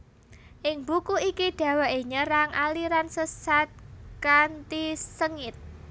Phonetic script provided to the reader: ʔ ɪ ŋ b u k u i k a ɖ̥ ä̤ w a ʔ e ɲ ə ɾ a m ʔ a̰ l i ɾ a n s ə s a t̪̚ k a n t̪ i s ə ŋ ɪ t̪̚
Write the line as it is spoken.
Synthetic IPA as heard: ʔ ɪ ŋ b u k u i k i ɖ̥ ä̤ w a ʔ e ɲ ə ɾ a ŋ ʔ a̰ l i ɾ a n s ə s a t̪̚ k a n t̪ i s ə ŋ ɪ t̪̚